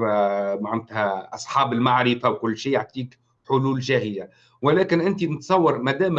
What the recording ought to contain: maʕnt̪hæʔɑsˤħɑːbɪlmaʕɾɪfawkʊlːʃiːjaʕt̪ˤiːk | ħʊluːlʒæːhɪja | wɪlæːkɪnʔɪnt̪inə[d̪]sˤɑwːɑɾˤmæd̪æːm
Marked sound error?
yes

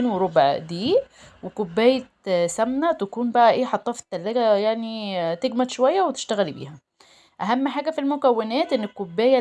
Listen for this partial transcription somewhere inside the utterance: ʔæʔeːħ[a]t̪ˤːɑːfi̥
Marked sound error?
yes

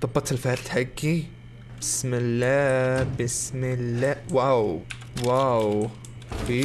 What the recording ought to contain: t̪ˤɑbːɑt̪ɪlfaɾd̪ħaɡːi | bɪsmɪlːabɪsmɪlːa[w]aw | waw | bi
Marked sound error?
no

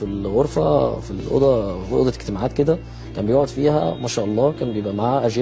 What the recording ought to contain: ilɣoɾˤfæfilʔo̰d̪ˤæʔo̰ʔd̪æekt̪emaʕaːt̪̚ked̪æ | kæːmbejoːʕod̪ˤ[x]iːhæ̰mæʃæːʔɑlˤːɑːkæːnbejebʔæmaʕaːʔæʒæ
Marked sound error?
yes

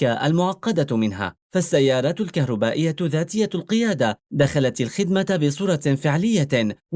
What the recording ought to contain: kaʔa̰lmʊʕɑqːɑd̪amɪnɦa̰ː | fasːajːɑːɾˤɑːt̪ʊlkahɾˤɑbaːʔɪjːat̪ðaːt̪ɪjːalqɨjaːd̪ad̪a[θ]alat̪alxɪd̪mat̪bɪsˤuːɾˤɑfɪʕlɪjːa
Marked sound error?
yes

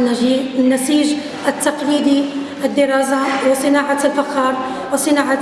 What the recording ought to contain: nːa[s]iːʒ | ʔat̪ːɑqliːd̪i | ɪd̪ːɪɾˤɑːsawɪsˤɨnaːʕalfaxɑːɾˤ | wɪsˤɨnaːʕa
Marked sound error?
no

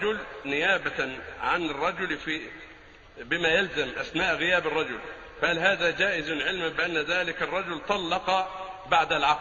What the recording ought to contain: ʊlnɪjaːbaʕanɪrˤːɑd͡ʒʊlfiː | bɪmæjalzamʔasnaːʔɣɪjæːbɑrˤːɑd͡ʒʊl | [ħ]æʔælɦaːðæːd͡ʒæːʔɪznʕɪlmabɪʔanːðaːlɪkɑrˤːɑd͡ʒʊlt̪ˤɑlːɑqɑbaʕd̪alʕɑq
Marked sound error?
yes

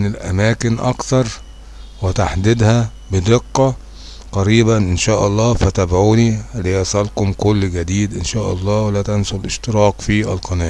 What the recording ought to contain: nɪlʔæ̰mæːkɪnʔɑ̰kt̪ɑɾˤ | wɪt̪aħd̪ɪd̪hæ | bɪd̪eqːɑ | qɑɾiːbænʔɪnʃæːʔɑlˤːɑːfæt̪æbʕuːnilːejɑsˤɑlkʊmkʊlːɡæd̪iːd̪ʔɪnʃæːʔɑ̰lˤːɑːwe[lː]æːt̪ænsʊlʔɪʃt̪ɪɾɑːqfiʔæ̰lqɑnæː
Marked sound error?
yes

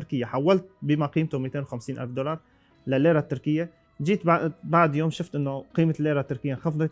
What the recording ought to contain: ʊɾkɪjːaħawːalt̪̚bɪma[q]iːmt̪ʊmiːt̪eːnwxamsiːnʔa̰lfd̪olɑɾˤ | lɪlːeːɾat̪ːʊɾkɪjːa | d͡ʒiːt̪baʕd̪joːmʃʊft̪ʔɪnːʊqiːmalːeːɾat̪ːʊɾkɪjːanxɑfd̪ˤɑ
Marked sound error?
no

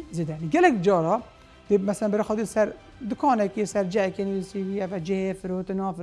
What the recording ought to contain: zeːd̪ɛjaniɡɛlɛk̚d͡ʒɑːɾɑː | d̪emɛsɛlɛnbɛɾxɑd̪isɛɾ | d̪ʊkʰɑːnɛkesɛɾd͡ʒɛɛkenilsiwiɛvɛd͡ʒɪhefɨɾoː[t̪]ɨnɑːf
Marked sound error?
no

